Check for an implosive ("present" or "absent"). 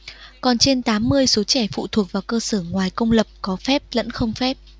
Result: absent